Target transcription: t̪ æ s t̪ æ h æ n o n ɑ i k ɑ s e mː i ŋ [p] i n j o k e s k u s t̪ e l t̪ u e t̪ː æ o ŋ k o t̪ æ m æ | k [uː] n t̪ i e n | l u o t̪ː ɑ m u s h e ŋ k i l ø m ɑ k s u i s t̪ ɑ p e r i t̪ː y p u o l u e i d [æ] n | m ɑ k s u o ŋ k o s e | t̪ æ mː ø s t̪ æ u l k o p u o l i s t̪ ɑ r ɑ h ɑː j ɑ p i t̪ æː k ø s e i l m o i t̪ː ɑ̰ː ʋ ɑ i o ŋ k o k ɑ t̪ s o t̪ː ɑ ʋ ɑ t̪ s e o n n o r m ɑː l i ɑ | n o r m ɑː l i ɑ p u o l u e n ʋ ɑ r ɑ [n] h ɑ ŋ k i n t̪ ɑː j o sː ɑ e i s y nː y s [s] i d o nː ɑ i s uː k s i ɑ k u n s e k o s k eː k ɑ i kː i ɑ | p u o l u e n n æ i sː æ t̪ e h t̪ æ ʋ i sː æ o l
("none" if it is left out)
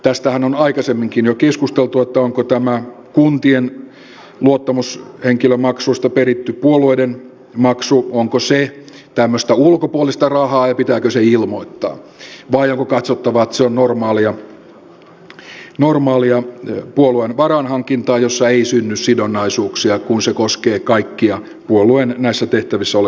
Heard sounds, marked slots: k, u, e, n, s

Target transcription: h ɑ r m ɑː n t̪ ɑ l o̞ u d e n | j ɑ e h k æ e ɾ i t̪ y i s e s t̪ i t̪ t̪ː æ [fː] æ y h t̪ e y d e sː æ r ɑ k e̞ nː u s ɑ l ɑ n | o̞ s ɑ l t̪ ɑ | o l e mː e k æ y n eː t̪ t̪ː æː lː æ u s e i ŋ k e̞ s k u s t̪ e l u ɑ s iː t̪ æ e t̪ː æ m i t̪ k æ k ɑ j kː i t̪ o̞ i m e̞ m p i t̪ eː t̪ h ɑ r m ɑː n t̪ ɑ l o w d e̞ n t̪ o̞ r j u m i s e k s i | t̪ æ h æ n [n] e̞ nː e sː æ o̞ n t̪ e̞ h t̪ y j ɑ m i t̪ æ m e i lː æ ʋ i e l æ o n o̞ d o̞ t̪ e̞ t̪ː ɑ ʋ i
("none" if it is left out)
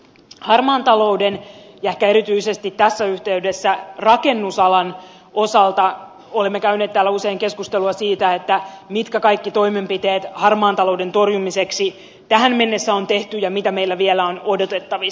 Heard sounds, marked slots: sː, m

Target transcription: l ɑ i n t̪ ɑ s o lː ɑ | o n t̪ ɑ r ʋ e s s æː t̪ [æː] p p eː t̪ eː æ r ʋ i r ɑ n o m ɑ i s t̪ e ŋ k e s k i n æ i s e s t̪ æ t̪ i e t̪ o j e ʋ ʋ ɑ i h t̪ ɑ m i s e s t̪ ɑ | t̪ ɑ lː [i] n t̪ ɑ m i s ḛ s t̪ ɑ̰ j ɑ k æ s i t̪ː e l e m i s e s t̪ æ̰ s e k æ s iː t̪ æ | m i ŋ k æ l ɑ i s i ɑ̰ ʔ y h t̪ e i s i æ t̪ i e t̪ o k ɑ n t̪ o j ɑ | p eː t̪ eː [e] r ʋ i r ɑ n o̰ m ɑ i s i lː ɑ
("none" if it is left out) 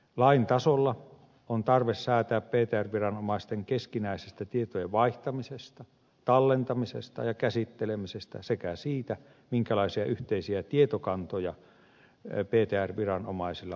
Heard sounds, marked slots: æː, e, æ

